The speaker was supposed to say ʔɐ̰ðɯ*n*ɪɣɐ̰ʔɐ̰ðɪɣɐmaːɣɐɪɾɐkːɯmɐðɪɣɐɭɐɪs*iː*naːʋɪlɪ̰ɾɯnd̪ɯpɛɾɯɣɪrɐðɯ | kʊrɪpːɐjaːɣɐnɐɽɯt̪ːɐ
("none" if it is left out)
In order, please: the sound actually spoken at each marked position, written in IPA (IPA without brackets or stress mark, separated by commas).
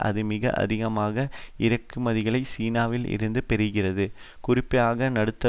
m, iː